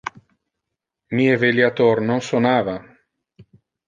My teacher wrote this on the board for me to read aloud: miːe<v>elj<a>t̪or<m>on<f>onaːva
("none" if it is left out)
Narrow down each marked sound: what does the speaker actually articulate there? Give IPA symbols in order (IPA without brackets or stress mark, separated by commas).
v, a, n, s